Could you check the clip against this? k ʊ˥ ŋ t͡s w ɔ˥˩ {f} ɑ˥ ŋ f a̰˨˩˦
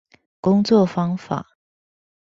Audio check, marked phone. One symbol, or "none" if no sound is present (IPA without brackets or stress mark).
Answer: f